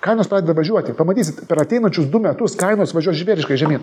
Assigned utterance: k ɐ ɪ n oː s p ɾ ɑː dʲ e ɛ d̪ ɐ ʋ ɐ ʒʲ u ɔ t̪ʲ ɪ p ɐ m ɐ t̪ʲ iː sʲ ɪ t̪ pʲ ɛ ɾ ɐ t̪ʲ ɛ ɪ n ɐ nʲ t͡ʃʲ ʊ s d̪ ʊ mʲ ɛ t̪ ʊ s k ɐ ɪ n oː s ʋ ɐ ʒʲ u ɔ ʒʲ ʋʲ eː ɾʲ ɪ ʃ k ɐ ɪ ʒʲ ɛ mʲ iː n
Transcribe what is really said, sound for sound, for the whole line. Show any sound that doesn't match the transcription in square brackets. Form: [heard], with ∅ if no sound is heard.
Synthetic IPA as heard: k ɐ ɪ n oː s p ɾ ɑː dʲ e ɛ d̪ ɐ ʋ ɐ ʒʲ u ɔ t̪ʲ ɪ p ɐ m ɐ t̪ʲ iː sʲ ɪ t̪ pʲ ɛ ɾ ɐ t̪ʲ ɛ ɪ n ɐ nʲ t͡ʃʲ ʊ s d̪ ʊ mʲ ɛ t̪ ʊ s k ɐ ɪ n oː s ʋ ɐ ʒʲ u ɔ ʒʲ ʋʲ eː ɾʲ ɪ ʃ k ɐ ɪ ʒʲ ɛ mʲ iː n